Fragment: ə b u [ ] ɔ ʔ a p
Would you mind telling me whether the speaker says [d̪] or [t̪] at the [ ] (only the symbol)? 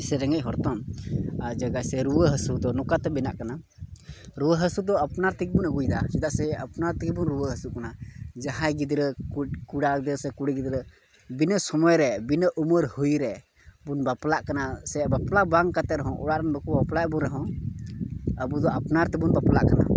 d̪